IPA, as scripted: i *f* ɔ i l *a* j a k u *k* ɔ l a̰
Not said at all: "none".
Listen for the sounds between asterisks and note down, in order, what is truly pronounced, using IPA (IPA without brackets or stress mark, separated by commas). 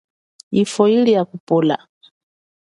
f, i, p